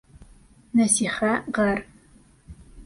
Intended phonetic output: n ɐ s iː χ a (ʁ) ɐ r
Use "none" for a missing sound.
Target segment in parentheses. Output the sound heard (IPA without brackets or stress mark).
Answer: ʁ